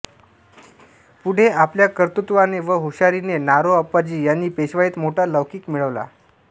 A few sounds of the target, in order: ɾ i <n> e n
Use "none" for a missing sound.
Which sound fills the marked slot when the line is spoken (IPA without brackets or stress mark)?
n